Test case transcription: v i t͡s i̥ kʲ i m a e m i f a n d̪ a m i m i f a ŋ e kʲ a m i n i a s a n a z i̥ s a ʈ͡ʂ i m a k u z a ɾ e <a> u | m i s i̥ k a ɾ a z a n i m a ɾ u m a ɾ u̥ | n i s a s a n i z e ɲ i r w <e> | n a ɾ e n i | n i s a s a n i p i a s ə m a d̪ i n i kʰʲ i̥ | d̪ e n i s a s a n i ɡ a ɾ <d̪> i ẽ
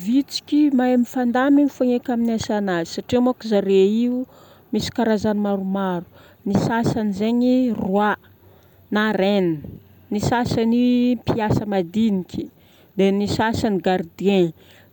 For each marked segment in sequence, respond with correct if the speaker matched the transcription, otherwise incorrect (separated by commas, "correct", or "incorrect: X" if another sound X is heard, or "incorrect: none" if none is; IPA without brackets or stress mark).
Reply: incorrect: i, incorrect: a, correct